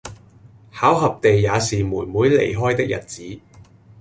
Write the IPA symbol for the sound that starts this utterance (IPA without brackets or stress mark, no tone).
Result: h